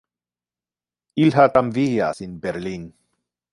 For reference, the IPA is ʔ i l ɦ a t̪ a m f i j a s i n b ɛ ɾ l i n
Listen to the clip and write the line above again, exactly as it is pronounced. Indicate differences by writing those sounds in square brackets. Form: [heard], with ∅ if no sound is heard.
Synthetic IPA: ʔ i l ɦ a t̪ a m [v] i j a s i n b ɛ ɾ l i n